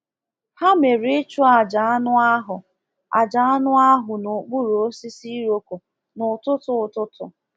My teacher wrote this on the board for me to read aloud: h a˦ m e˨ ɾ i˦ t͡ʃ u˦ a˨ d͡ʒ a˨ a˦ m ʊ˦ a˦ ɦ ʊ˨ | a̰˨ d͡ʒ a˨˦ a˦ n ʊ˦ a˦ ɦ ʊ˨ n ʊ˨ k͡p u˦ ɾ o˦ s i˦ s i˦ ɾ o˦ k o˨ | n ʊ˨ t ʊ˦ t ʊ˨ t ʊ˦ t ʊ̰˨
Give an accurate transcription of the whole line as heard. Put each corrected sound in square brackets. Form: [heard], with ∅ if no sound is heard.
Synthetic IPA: h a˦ m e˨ ɾ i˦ t͡ʃ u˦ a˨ d͡ʒ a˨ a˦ [n] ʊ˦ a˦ ɦ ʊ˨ | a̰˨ d͡ʒ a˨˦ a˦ n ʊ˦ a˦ ɦ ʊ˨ n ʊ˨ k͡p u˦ ɾ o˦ s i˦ s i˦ ɾ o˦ k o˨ | n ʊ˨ t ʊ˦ t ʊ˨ t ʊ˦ t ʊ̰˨